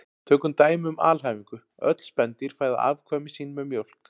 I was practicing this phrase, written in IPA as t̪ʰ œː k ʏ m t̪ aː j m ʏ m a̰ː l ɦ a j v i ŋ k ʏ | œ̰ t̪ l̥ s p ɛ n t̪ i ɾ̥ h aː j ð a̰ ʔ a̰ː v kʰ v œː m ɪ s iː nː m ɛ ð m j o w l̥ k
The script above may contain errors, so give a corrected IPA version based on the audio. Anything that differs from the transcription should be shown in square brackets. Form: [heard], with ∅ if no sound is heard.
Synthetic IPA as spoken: t̪ʰ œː k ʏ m t̪ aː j m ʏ m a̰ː l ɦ a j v i ŋ k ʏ | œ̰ t̪ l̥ s p ɛ n t̪ i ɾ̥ [f] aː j ð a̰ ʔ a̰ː v kʰ v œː m ɪ s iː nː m ɛ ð m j o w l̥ k